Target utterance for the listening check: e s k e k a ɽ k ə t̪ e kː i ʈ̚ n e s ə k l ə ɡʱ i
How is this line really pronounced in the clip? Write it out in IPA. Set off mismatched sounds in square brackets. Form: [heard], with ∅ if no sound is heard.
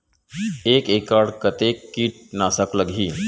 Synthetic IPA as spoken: e [∅] k e k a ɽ k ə t̪ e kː i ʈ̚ n [a] s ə k l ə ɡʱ i